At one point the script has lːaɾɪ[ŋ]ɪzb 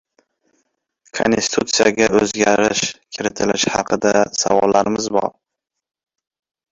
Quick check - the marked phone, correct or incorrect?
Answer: incorrect